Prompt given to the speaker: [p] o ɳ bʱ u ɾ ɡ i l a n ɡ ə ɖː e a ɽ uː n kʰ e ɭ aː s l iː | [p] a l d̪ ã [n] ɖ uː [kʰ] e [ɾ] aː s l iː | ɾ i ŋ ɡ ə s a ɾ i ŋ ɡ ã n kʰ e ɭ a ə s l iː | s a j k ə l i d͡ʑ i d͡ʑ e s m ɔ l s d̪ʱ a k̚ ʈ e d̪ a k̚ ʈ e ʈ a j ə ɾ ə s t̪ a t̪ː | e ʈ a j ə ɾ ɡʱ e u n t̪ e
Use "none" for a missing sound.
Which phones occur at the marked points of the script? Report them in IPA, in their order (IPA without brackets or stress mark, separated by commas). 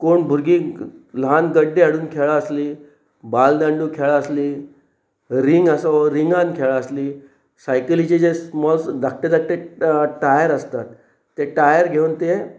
k, b, ɳ, kʰ, ɭ